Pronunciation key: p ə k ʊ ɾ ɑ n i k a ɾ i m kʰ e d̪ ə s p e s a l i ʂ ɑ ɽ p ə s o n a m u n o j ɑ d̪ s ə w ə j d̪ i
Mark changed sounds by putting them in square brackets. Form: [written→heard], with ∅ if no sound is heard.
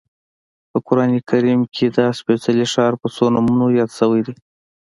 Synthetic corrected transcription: p ə k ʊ ɾ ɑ n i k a ɾ i m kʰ e d̪ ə s p e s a l i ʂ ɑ [ɽ→ɾ] p ə s o n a m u n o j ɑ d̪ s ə w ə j d̪ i